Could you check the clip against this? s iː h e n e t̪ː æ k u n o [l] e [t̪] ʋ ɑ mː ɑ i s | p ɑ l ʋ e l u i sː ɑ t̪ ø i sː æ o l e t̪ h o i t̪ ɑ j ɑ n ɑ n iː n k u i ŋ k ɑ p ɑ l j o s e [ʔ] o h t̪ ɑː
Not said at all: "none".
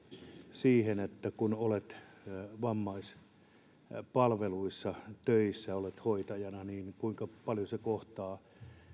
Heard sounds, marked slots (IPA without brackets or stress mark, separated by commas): l, t̪, k